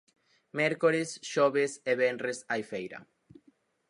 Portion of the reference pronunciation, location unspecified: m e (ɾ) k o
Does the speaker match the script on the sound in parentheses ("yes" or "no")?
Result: yes